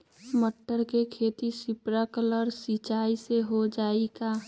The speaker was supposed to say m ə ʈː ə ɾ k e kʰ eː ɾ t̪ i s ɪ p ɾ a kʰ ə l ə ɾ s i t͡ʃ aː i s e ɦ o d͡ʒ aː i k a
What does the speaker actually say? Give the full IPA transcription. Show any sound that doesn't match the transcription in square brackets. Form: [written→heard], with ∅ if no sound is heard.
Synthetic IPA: m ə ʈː ə ɾ k e kʰ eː [ɾ→∅] t̪ i s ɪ p ɾ a [kʰ→k] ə l ə ɾ s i t͡ʃ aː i s e ɦ o d͡ʒ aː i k a